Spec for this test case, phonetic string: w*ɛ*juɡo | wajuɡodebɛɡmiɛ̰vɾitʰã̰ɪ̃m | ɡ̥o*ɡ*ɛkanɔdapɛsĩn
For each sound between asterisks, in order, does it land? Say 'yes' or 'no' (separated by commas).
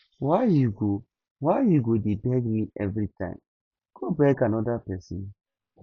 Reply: no, no